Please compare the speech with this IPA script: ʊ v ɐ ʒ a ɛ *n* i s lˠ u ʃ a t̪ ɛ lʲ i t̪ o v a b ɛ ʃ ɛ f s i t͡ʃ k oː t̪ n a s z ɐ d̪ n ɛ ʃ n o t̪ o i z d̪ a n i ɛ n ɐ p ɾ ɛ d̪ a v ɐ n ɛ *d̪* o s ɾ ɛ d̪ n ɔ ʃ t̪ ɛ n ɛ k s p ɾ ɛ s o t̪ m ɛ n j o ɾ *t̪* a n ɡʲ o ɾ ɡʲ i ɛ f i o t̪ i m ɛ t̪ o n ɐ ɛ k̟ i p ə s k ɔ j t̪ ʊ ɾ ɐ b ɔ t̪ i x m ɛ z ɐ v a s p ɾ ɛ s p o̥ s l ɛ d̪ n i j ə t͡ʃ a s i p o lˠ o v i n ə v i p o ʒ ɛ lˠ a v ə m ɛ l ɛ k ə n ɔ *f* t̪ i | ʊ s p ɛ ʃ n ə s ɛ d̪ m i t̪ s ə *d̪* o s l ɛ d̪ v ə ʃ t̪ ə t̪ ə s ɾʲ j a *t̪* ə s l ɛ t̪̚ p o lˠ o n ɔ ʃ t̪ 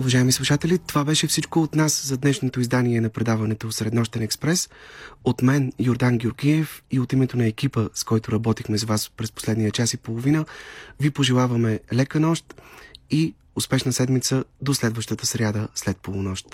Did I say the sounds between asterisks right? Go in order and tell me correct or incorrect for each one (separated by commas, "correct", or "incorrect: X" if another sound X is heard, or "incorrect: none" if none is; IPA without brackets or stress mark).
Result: incorrect: m, incorrect: t̪, incorrect: d̪, incorrect: ʃ, correct, incorrect: d̪